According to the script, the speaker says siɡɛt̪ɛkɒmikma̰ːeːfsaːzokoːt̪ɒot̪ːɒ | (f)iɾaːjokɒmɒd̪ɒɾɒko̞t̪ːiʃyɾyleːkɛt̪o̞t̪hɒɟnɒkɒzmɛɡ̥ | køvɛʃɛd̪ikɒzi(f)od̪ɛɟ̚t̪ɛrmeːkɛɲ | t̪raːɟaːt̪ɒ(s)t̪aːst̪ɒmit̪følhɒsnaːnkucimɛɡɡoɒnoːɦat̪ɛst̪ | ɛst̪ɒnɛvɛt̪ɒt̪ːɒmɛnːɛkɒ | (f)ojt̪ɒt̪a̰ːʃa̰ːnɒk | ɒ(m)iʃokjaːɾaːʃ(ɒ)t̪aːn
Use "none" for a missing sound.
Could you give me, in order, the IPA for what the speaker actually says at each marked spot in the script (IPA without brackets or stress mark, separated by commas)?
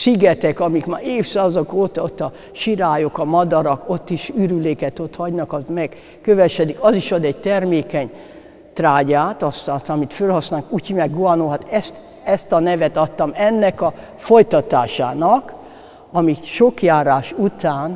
ʃ, ʃ, s, f, m, u